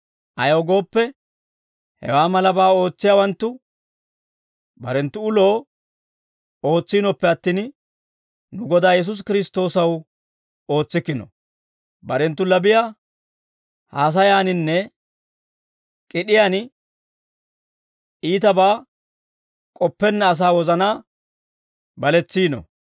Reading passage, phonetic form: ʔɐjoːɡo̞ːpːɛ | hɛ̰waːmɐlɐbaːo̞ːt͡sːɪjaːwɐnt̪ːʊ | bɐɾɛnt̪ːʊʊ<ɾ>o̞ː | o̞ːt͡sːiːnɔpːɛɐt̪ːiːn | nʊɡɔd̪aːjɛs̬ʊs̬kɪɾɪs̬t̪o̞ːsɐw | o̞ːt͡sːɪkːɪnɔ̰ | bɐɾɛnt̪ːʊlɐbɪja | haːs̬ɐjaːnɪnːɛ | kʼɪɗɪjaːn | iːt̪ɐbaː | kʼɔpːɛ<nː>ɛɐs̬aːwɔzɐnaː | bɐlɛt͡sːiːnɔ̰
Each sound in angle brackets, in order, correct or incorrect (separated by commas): incorrect, correct